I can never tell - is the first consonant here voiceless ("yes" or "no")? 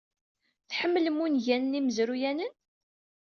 yes